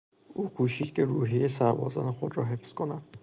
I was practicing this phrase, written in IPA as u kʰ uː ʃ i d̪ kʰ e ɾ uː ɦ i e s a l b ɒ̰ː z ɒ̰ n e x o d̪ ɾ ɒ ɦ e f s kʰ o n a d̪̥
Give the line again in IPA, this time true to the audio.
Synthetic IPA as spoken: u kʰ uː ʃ i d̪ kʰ e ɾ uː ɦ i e s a ɾ b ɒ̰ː z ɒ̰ n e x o d̪ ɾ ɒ ɦ e f s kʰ o n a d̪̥